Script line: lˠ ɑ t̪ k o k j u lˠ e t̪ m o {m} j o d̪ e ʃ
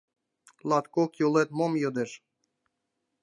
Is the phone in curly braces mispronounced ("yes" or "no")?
no